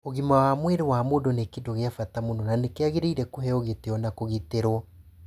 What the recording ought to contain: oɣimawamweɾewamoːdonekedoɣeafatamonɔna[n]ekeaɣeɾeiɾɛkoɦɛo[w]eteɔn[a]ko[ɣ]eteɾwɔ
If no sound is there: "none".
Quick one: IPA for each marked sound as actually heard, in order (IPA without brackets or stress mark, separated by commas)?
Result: n, ɣ, a, ɣ